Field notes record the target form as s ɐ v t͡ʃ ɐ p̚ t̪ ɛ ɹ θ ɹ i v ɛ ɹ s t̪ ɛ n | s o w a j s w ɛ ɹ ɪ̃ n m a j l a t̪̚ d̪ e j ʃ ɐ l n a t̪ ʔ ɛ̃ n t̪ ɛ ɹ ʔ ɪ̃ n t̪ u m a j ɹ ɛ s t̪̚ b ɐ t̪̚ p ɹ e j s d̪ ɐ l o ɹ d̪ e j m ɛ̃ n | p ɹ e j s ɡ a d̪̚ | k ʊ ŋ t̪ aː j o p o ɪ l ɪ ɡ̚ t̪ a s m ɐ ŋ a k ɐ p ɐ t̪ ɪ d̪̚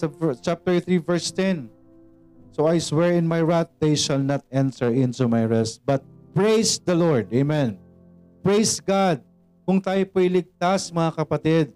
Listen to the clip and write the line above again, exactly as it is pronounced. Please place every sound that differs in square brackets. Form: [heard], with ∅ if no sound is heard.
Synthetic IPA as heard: s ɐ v t͡ʃ [a] p̚ t̪ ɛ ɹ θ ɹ i v ɛ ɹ s t̪ ɛ n | s o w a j s w ɛ ɹ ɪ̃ n m a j [ɹ] a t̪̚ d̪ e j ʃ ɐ l n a t̪ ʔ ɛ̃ n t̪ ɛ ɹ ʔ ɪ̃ n t̪ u m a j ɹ ɛ s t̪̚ b ɐ t̪̚ p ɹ e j s d̪ ɐ l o ɹ d̪ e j m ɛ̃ n | p ɹ e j s ɡ a d̪̚ | k ʊ ŋ t̪ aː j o p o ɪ l ɪ ɡ̚ t̪ a s m ɐ ŋ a k ɐ p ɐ t̪ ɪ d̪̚